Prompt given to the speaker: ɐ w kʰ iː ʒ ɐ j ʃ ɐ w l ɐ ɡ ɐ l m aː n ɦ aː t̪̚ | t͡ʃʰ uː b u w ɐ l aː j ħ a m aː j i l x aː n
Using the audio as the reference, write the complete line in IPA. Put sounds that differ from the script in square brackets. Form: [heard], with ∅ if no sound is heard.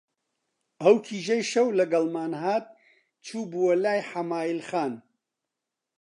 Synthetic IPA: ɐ w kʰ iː ʒ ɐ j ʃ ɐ w l ɐ ɡ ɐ l m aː n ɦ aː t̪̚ | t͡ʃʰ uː b u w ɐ l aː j ħ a m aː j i l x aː n

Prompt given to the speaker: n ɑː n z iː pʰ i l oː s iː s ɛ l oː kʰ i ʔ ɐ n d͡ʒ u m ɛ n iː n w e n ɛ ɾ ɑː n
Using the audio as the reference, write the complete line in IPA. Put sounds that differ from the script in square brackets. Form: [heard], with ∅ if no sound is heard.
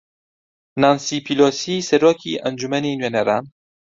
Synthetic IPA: n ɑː n [s] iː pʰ i l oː s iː s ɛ [ɾ] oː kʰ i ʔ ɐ n d͡ʒ u m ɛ n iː n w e n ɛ ɾ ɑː n

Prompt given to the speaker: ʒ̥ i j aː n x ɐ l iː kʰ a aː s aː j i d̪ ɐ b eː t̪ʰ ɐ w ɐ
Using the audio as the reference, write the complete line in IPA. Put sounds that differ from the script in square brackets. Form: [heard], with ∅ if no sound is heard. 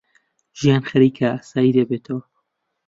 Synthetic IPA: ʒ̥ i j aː n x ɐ [ɾ] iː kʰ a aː s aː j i d̪ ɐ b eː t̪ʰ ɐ w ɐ

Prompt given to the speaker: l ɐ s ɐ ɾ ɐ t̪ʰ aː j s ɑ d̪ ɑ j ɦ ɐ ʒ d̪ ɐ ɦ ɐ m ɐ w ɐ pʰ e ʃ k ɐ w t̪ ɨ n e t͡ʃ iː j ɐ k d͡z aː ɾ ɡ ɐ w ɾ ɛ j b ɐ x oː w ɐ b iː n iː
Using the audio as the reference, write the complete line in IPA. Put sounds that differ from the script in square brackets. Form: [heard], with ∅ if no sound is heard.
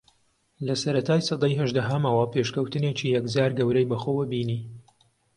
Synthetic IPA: l ɐ s ɐ ɾ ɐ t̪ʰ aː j s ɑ d̪ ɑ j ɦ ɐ ʒ d̪ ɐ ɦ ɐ m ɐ w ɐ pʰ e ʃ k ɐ w t̪ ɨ n e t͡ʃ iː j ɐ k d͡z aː ɾ ɡ ɐ w ɾ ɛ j b ɐ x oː w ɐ b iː n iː

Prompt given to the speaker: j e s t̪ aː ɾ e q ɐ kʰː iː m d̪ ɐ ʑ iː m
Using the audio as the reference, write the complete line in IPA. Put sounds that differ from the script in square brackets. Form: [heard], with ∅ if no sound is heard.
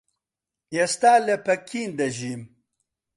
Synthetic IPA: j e s t̪ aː [l] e [p] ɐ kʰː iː [n] d̪ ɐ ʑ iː m

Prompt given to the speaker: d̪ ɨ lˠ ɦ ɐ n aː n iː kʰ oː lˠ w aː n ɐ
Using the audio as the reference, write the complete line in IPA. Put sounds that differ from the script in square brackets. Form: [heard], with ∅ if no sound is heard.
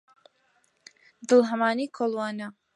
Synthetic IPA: d̪ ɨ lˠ ɦ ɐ [m] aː n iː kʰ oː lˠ w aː n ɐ

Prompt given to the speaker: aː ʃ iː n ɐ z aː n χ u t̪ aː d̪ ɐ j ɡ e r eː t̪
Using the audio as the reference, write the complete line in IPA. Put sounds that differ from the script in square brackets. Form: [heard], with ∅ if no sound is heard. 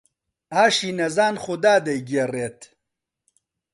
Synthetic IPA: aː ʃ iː n ɐ z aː n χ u [d̪] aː d̪ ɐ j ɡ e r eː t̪

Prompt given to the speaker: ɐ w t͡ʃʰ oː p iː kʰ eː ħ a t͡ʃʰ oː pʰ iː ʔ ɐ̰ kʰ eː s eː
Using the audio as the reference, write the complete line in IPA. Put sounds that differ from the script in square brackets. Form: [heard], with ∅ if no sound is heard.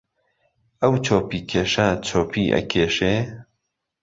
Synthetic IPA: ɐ w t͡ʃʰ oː p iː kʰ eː [ʃ] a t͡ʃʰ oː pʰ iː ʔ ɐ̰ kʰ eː [ʃ] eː

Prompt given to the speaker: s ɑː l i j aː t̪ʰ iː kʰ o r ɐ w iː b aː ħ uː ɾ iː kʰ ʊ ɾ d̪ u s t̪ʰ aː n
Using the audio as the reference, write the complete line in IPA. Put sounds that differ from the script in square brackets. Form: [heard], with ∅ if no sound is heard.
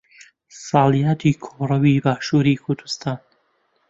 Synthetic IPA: s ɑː l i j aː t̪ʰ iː kʰ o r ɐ w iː b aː [ʃ] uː ɾ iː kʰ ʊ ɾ d̪ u s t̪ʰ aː n

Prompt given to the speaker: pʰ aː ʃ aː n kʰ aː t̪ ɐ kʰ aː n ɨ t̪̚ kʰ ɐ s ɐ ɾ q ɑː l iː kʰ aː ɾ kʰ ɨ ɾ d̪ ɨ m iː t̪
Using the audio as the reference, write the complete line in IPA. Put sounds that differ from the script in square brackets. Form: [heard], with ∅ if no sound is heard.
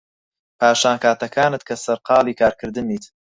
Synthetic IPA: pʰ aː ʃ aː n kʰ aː t̪ ɐ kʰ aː n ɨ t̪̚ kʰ ɐ s ɐ ɾ q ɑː l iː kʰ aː ɾ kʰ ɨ ɾ d̪ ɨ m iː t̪

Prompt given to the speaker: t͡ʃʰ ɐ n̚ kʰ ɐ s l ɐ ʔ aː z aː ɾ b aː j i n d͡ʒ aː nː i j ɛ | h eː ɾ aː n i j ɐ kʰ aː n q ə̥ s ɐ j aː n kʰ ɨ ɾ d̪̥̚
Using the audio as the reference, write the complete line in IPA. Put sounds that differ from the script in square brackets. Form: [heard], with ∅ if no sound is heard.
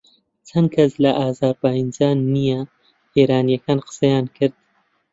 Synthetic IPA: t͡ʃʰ ɐ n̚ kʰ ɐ s l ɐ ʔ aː z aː ɾ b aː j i n d͡ʒ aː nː i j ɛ | h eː ɾ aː n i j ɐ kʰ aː n q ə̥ s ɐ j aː n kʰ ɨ ɾ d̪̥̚

